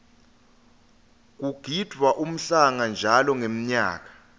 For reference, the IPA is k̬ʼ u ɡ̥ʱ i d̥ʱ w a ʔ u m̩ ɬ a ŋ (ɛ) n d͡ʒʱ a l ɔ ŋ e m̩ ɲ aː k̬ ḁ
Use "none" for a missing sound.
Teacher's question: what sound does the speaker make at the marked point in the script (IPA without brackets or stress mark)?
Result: a